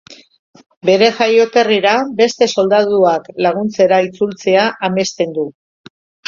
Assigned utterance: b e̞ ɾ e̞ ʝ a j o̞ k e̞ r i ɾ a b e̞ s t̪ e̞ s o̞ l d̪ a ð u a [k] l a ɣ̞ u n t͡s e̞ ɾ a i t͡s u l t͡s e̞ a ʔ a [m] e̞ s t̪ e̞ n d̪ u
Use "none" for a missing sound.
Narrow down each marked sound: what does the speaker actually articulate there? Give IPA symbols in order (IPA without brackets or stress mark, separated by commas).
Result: k, m